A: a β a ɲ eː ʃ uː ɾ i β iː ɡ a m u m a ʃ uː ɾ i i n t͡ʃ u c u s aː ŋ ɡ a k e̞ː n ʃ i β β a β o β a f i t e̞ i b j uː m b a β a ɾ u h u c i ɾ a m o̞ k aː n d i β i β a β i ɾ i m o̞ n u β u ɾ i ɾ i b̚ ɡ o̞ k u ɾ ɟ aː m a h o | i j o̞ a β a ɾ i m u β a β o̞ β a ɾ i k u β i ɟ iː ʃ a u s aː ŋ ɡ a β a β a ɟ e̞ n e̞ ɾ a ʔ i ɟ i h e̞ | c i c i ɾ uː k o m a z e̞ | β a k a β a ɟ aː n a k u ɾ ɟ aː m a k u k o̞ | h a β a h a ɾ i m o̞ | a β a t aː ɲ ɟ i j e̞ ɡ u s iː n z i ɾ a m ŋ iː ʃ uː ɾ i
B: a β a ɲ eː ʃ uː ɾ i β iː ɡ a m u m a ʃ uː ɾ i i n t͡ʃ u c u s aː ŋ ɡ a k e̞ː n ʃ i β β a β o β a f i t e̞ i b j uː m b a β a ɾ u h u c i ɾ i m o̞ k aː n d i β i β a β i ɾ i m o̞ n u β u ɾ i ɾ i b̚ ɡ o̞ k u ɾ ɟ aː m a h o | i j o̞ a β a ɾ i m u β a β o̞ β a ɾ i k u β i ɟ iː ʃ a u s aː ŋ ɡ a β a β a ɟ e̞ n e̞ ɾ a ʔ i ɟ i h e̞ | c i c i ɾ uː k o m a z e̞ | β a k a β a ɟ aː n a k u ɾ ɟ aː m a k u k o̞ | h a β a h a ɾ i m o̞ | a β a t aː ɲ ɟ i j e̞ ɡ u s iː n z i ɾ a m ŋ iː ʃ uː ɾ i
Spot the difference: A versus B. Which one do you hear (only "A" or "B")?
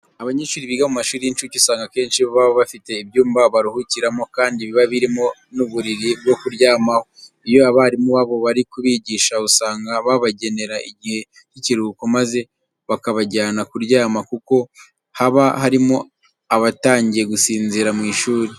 A